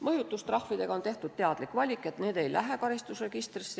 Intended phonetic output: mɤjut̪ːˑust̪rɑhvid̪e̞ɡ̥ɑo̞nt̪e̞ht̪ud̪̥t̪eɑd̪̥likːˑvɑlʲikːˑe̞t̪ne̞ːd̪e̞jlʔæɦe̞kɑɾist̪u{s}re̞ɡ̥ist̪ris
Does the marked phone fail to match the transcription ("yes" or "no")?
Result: no